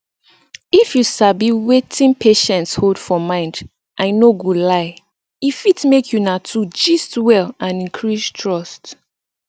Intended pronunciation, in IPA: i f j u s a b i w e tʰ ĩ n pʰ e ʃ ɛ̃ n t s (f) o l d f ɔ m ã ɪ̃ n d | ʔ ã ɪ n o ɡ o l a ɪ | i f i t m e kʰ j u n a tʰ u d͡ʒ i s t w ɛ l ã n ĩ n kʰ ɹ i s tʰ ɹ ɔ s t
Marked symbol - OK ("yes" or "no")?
no